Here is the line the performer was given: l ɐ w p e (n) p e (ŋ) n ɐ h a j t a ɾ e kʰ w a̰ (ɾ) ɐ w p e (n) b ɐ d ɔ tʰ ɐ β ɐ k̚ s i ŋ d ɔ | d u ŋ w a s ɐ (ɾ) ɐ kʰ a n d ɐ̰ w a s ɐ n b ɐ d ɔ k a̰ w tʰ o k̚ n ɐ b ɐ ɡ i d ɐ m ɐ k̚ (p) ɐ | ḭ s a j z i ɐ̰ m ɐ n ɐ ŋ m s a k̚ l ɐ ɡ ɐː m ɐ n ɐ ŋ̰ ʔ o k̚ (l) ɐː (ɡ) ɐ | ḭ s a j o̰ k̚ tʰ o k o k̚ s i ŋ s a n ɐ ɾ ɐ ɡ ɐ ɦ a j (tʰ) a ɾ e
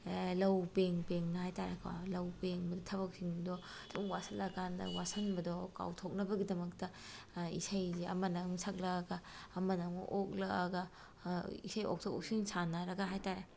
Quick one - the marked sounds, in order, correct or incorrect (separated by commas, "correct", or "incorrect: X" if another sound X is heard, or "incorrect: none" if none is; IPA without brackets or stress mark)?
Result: incorrect: ŋ, correct, incorrect: l, incorrect: ŋ, incorrect: l, incorrect: t, correct, correct, incorrect: t